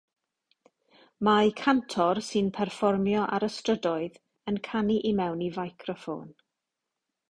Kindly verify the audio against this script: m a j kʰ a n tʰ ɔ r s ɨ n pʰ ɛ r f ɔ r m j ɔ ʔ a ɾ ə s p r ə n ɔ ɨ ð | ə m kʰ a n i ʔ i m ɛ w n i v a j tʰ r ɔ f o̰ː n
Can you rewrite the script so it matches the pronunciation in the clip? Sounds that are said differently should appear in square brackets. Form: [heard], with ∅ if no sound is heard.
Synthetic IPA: m a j kʰ a n tʰ ɔ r s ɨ n pʰ ɛ r f ɔ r m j ɔ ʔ a ɾ ə s [t] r ə [d] ɔ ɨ ð | ə [n] kʰ a n i ʔ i m ɛ w n i v a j [kʰ] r ɔ f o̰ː n

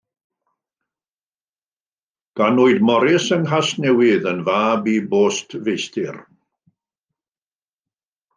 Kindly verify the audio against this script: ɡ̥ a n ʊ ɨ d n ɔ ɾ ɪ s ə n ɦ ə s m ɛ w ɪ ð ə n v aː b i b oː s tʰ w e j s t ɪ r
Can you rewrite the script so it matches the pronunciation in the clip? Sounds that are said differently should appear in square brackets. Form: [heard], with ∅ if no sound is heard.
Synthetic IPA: ɡ̥ a n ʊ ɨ d [m] ɔ ɾ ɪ s ə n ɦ [a] s [n] ɛ w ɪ ð ə n v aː b i b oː s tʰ [v] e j s t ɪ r

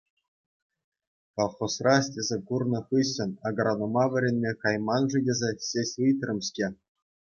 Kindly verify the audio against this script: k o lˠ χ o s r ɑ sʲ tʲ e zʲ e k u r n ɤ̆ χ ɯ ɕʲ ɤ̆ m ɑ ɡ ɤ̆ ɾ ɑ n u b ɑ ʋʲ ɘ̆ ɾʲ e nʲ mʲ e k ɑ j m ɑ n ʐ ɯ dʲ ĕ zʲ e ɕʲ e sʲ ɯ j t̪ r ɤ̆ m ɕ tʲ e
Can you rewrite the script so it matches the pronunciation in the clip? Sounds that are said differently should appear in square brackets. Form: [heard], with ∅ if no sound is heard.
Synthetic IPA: k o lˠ χ o s r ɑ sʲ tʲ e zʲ e k u r n ɤ̆ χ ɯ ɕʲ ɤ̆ [n] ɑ ɡ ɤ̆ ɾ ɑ n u [m] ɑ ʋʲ ɘ̆ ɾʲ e nʲ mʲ e k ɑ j m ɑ n ʐ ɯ dʲ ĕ zʲ e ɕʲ e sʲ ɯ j t̪ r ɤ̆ m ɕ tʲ e

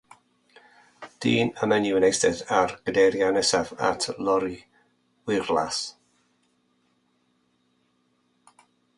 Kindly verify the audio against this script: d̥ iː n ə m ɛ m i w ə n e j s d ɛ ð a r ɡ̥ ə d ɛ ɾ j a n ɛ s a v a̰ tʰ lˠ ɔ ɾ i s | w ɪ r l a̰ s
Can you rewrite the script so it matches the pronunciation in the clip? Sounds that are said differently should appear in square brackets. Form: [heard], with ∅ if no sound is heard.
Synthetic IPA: d̥ iː n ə m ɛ [n] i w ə n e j s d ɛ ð a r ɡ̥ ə d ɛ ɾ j a n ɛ s a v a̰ tʰ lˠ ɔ ɾ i [∅] | w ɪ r l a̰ s

